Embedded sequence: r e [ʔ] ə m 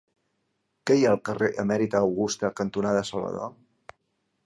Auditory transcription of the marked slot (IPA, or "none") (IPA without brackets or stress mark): ʔ